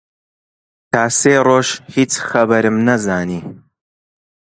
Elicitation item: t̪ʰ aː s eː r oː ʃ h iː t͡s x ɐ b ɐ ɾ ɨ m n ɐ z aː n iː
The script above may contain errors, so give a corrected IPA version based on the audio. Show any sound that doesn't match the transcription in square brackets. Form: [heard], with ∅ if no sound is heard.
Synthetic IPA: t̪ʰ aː s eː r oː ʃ h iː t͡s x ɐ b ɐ ɾ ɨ m n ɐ z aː n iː